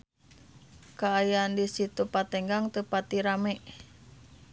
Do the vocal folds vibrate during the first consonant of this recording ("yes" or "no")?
no